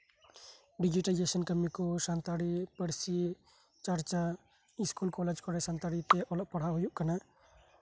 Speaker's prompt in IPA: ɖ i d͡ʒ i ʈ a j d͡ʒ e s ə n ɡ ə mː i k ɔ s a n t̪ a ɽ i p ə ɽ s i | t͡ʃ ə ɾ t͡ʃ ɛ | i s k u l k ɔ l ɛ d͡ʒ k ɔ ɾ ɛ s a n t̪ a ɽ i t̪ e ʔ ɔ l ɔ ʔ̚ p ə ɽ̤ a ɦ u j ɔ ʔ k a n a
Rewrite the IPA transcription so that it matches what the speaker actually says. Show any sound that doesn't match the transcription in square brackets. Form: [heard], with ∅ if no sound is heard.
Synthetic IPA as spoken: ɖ i d͡ʒ i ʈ a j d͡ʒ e s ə n [k] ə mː i k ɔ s a n t̪ a ɽ i p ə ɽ s i | t͡ʃ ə ɾ t͡ʃ [a] | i s k u l k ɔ l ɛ d͡ʒ k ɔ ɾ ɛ s a n t̪ a ɽ i t̪ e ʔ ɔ l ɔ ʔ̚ p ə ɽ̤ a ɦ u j [u] ʔ k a n a